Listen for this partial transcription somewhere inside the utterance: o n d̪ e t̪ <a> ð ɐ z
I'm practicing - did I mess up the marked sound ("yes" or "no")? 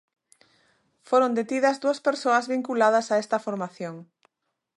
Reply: yes